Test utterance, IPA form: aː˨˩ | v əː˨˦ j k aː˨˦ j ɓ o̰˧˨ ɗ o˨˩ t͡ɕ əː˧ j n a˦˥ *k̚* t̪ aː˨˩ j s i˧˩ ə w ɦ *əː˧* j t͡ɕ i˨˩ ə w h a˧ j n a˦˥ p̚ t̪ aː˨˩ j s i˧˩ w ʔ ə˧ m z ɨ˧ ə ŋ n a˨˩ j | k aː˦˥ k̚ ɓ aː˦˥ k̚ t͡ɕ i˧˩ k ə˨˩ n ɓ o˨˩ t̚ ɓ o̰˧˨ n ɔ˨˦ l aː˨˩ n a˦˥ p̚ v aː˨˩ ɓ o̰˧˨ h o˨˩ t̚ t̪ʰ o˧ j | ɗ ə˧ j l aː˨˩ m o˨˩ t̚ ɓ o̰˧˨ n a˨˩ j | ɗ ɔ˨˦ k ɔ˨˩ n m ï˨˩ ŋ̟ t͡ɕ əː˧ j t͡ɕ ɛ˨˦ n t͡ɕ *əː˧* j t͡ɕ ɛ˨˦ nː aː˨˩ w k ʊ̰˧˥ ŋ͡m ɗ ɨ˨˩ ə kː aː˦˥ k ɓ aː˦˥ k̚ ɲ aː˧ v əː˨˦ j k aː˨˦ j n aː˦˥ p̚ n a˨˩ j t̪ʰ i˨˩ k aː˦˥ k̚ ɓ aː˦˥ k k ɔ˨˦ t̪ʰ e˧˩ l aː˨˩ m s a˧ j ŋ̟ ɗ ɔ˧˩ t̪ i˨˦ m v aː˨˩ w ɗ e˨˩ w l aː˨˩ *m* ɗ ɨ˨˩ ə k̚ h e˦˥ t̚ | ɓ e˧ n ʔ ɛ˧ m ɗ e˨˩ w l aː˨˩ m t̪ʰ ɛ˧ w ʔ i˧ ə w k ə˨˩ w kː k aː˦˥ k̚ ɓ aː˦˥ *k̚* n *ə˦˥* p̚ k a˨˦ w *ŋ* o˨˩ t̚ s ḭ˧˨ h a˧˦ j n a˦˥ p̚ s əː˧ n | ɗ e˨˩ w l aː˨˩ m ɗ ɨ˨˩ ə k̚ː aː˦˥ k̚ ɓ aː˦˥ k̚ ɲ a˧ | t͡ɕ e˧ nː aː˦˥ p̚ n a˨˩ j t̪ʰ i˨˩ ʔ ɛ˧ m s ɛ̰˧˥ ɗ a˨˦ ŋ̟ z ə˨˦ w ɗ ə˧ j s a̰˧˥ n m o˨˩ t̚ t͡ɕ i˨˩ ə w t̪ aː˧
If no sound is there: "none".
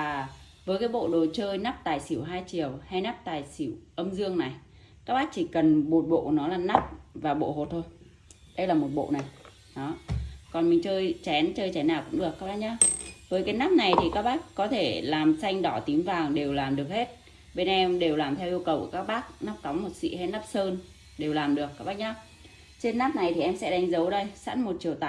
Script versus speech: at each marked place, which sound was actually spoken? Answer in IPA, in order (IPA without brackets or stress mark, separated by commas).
p̚, aː˧, əː˧, m, k̚, a˦˥, m